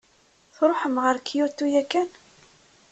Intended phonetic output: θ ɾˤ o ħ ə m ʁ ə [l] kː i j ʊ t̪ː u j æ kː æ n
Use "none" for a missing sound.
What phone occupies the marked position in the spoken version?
ɾ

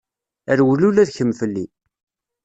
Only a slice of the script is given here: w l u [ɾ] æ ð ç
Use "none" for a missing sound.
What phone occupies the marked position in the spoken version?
l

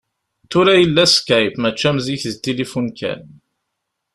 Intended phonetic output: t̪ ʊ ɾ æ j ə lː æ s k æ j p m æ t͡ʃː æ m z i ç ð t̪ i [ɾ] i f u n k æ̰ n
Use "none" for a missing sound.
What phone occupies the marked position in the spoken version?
l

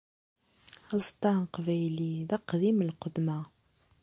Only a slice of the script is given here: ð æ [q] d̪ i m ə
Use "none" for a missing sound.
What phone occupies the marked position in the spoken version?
q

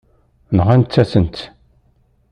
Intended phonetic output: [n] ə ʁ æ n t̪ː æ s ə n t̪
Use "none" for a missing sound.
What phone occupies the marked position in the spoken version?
n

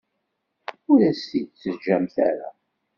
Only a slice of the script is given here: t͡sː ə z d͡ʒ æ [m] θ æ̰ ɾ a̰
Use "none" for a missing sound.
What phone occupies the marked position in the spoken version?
m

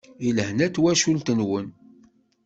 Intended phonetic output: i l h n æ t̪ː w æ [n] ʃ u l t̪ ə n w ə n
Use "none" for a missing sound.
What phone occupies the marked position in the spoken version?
none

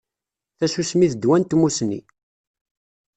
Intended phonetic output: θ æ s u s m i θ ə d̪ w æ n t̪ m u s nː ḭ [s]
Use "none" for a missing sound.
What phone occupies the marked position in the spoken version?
none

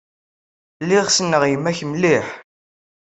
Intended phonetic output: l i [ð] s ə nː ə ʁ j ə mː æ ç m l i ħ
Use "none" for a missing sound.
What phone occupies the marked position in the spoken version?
ʁ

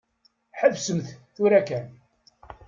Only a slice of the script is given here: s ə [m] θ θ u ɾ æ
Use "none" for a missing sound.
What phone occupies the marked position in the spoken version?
m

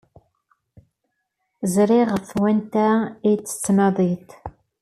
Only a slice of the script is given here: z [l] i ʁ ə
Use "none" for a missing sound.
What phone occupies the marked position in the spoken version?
ɾ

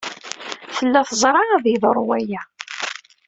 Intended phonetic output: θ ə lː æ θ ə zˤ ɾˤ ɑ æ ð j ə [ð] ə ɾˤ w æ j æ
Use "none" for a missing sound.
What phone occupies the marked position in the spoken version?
ð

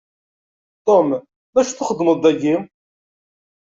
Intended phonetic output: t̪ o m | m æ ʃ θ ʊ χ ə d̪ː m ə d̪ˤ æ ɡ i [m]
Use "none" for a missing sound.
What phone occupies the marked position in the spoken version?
m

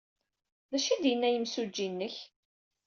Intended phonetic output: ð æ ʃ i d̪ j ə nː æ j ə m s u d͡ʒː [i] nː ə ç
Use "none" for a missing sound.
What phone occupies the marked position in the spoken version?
i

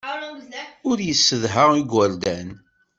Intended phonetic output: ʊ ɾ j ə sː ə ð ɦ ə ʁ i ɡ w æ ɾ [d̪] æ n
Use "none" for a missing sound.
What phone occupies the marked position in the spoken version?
d̪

